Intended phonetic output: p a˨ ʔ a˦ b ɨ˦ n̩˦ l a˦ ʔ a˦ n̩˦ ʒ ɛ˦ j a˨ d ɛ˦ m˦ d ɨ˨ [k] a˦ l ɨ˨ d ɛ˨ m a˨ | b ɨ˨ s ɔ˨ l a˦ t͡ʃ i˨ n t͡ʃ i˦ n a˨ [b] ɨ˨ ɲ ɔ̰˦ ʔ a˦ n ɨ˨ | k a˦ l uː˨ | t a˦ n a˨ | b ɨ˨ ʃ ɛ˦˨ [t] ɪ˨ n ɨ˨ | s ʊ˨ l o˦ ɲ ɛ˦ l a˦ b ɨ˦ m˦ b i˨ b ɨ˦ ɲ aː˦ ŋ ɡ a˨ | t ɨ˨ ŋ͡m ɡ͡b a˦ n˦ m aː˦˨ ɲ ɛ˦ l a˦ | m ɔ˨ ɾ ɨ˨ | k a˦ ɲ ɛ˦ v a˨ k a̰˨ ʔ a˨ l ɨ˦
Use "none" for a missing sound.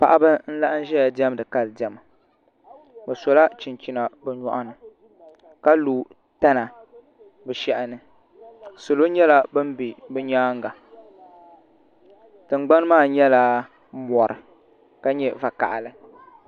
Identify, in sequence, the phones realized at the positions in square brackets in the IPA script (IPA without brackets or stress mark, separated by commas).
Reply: k, b, ʔ